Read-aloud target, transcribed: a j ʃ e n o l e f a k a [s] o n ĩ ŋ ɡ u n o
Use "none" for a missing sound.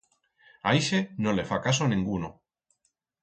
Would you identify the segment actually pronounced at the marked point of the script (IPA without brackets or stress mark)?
s